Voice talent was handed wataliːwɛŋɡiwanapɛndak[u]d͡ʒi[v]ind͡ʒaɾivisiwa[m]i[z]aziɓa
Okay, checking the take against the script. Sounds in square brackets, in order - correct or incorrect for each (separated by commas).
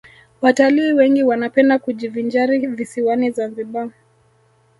correct, correct, incorrect, correct